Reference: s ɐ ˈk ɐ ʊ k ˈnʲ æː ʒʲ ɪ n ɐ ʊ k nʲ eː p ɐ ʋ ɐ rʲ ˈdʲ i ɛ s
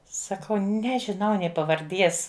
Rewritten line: s ɐ ˈk ɐ ʊ ˈnʲ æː ʒʲ ɪ n ɐ ʊ nʲ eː p ɐ ʋ ɐ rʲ ˈdʲ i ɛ s